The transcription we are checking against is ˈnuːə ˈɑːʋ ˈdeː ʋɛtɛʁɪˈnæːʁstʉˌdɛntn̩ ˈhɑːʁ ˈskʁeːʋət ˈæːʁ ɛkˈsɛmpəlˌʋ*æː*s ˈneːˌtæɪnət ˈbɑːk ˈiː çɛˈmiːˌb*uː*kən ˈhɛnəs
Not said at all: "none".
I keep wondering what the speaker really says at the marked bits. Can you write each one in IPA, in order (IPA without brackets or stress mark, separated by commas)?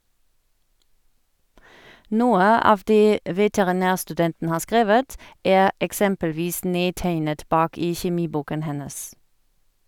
iː, uː